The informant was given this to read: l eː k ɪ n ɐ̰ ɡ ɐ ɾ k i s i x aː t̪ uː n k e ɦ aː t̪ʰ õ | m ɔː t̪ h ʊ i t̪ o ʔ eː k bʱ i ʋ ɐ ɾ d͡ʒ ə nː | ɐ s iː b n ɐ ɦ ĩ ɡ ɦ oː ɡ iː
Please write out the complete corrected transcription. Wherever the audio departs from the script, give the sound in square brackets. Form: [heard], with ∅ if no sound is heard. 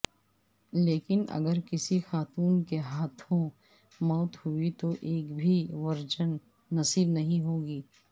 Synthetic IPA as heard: l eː k ɪ n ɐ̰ ɡ [ə] ɾ k [ɪ] s i x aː t̪ uː n k e ɦ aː t̪ʰ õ | m ɔː t̪ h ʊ i t̪ o ʔ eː k bʱ i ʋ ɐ ɾ d͡ʒ ə nː | ɐ s iː b n ɐ ɦ ĩ [∅] ɦ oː ɡ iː

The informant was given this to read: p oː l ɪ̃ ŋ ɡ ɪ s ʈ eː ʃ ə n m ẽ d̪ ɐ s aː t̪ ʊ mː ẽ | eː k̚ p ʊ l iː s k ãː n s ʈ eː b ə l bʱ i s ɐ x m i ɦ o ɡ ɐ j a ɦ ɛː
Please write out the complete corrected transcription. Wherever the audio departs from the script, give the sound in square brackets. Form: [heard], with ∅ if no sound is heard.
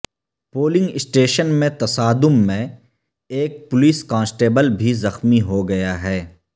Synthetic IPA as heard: p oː l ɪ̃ ŋ ɡ ɪ s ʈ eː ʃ ə n m ẽ [t̪] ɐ s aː [d̪] ʊ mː ẽ | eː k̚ p ʊ l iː s k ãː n s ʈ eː b ə l bʱ i [z] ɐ x m i ɦ o ɡ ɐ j a ɦ ɛː

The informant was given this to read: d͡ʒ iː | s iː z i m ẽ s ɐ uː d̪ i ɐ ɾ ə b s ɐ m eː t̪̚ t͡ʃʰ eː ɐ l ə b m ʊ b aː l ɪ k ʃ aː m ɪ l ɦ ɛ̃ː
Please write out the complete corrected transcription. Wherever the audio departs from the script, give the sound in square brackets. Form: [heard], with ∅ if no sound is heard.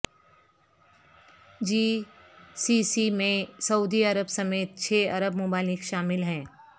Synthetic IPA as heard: d͡ʒ iː | s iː [s] i m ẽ s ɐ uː d̪ i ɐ ɾ ə b s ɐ m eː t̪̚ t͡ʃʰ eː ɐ [ɾ] ə b m ʊ b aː l ɪ k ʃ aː m ɪ l ɦ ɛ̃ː

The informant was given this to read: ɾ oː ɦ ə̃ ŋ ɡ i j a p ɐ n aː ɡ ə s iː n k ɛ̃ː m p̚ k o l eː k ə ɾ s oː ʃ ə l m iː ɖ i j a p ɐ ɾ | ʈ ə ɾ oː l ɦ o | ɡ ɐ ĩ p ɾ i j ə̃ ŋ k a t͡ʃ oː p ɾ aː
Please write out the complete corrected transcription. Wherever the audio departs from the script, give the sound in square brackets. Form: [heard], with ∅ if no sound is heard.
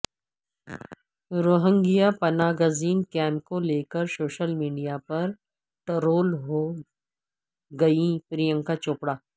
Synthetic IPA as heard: ɾ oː ɦ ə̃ ŋ ɡ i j a p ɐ n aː ɡ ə [z] iː n k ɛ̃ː m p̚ k o l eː k ə ɾ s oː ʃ ə l m iː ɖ i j a p ɐ ɾ | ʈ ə ɾ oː l ɦ o | ɡ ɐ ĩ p ɾ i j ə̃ ŋ k a t͡ʃ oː p [ɽ] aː

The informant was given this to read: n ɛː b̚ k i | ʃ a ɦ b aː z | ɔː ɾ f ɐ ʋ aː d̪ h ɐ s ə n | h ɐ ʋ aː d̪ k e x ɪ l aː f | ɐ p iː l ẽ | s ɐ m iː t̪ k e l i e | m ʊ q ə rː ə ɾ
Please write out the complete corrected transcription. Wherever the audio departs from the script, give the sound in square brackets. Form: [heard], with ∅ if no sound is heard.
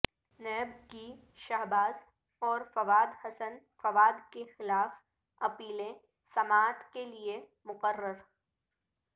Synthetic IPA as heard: n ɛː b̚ k i | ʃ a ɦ b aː z | ɔː ɾ f ɐ ʋ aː d̪ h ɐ s ə n | [f] ɐ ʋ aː d̪ k e x ɪ l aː f | ɐ p iː l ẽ | s ɐ m [aː] t̪ k e l i e | m ʊ q ə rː ə ɾ

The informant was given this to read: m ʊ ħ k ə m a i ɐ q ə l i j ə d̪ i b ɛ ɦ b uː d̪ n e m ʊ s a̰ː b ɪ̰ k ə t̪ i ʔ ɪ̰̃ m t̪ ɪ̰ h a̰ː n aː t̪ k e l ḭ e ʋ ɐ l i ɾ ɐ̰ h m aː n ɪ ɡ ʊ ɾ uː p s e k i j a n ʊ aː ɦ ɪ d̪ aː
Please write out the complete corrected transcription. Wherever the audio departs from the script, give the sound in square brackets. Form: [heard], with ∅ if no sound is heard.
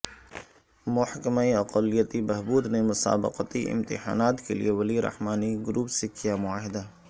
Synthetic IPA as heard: m ʊ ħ k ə m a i ɐ q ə l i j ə [t̪] i b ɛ ɦ b uː d̪ n e m ʊ s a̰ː b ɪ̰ [q] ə t̪ i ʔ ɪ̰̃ m t̪ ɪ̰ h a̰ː n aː t̪ k e l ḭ e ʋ ɐ l i ɾ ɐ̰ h m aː n [i] ɡ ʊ ɾ uː p s e k i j a [m] ʊ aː ɦ ɪ d̪ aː

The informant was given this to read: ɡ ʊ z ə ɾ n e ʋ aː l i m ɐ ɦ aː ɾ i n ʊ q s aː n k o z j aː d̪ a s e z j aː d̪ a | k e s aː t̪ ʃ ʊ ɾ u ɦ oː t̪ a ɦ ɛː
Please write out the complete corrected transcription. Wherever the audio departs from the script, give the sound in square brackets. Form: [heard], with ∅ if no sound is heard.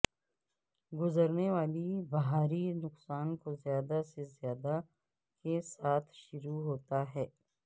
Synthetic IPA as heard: ɡ ʊ z ə ɾ n e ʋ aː l i [b] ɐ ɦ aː ɾ i n ʊ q s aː n k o z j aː d̪ a s e z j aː d̪ a | k e s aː [t̪ʰ] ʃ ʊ ɾ u ɦ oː t̪ a ɦ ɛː

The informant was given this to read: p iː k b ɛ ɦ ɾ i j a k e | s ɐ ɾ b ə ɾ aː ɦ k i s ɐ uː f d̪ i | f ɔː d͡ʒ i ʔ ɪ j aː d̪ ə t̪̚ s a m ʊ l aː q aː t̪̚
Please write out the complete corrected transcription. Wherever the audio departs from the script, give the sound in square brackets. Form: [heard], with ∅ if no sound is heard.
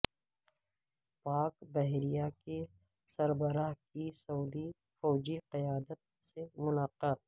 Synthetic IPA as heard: p [aː] k b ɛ ɦ ɾ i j a k e | s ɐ ɾ b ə ɾ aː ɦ k i s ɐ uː [∅] d̪ i | f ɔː d͡ʒ i [q] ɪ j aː d̪ ə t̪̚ s [e] m ʊ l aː q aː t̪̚

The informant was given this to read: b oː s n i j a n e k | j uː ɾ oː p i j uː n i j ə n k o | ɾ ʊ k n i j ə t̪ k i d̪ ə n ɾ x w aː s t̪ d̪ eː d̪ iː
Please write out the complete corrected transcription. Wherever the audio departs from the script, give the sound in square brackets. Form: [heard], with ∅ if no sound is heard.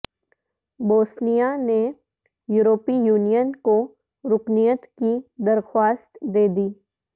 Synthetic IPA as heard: b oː s n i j a n e [∅] | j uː ɾ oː p i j uː n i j ə n k o | ɾ ʊ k n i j ə t̪ k i d̪ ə [∅] ɾ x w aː s t̪ d̪ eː d̪ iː

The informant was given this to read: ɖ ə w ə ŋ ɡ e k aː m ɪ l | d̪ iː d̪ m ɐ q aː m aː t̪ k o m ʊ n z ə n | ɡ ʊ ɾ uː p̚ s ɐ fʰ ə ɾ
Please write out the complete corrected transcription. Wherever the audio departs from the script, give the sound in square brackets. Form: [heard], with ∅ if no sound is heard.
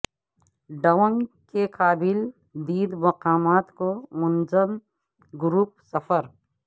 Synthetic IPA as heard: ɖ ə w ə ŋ [k] e k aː [b] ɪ l | d̪ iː d̪ m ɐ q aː m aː t̪ k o m ʊ n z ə [m] | ɡ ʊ ɾ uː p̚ s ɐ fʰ ə ɾ

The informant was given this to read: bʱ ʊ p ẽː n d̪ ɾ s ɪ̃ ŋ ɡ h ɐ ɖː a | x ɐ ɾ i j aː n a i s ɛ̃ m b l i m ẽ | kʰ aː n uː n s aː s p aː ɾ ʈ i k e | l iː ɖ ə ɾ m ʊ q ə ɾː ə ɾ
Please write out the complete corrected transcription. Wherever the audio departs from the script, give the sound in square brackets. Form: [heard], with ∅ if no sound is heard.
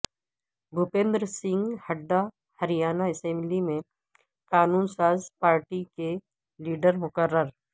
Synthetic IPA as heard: bʱ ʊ p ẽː n d̪ ɾ s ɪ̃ ŋ ɡ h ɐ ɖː a | [h] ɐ ɾ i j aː n a [ɪ] s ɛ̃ m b l i m ẽ | [k] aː n uː n s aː [z] p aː ɾ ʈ i k e | l iː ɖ ə ɾ m ʊ [k] ə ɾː ə ɾ

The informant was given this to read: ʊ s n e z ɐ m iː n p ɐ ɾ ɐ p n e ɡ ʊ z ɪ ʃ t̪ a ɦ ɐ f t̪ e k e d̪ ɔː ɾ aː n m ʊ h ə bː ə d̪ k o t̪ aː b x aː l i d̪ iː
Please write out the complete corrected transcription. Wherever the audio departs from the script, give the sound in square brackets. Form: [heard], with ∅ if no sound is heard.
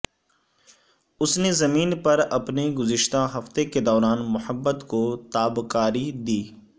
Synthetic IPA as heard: ʊ s n e z ɐ m iː n p ɐ ɾ ɐ p n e ɡ ʊ z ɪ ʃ t̪ a ɦ ɐ f t̪ e k e d̪ ɔː ɾ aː n m ʊ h ə bː ə [t̪] k o t̪ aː b [k] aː [ɾ] i d̪ iː

